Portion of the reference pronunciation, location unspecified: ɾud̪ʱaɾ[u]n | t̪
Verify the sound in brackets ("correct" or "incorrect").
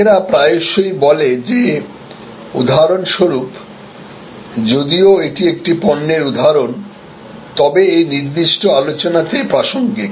incorrect